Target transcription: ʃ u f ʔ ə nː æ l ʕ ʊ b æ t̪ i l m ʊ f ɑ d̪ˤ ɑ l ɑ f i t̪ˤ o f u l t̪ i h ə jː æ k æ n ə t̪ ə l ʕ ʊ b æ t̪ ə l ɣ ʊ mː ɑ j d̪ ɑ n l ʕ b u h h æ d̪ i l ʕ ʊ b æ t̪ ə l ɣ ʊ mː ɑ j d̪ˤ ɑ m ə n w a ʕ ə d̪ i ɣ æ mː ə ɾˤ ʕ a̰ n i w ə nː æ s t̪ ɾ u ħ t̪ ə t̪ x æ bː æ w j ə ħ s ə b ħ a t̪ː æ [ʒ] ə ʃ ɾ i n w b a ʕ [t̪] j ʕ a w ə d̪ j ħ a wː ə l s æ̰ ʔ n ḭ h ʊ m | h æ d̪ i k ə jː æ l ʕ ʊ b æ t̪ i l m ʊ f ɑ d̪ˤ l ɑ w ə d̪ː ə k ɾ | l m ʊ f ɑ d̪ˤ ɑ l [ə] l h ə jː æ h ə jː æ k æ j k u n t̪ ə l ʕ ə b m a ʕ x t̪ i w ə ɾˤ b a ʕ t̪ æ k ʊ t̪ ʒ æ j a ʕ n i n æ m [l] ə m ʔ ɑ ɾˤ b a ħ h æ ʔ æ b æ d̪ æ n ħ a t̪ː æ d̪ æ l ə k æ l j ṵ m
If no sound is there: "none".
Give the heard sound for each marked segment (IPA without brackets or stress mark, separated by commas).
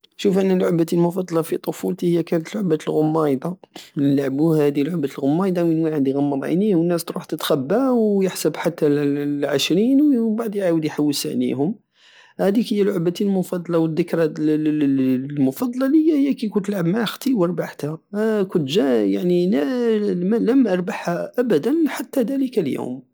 ʕ, d̪, ɑ, l